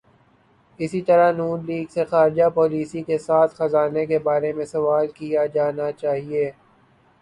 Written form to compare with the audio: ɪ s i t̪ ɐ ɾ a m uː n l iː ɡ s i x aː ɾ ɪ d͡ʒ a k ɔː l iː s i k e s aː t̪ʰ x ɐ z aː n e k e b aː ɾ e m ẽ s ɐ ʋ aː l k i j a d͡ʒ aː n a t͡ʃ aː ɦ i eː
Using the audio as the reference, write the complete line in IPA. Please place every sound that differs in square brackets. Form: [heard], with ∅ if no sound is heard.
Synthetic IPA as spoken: ɪ s i t̪ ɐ ɾ a [n] uː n l iː ɡ s [e] x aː ɾ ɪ d͡ʒ a [p] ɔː l iː s i k e s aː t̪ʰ x ɐ z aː n e k e b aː ɾ e m ẽ s ɐ ʋ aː l k i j a d͡ʒ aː n a t͡ʃ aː ɦ i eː